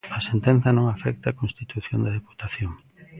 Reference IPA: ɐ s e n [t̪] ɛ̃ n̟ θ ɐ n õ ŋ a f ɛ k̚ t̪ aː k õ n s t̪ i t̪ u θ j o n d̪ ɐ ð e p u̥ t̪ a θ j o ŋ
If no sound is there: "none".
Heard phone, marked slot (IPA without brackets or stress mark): t̪